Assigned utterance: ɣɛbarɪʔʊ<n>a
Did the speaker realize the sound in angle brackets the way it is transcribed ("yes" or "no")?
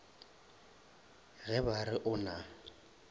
yes